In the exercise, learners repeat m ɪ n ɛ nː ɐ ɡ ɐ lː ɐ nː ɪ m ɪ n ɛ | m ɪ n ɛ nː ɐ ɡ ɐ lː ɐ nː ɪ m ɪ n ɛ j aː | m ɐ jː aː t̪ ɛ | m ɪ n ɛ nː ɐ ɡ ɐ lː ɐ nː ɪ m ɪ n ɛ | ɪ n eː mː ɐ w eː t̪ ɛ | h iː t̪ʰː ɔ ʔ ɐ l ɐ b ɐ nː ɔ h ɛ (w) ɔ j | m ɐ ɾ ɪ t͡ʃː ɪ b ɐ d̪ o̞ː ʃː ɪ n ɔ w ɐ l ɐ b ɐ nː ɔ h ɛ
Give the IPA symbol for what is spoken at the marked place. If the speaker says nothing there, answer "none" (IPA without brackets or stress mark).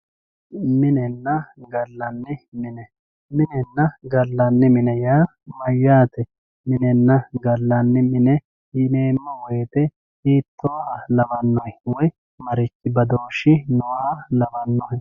w